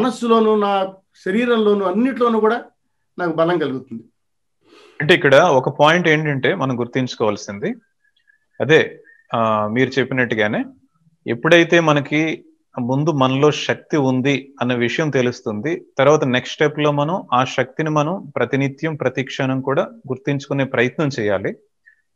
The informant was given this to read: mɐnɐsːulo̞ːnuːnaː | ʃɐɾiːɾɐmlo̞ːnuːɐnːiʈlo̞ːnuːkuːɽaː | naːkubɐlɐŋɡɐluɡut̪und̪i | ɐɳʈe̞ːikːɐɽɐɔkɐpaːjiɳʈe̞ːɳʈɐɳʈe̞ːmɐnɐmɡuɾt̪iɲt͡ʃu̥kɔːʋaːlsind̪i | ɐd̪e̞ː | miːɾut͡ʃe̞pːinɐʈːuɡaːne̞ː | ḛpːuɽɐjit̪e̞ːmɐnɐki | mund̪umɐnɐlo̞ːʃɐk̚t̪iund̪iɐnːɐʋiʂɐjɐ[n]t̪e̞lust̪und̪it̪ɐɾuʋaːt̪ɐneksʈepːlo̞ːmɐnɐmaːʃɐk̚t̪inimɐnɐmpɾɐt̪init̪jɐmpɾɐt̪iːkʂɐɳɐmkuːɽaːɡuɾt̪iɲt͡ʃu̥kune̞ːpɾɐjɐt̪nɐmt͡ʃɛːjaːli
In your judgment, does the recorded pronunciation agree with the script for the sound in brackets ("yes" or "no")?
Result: no